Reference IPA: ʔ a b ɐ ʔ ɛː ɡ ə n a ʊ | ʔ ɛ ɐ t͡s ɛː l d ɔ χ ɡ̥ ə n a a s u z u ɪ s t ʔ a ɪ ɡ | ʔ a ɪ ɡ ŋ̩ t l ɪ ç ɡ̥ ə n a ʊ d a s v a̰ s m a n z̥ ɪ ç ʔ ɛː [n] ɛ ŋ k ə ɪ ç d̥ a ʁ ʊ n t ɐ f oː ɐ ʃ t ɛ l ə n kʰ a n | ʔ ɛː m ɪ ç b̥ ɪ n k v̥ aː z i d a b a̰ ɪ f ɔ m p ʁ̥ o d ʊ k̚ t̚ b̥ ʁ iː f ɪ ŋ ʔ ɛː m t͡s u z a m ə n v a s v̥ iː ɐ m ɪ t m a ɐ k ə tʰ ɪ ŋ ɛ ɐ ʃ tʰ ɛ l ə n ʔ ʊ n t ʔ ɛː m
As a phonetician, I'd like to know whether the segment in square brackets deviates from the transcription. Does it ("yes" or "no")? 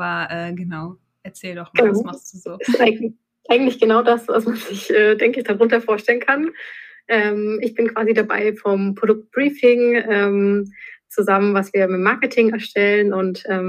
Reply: yes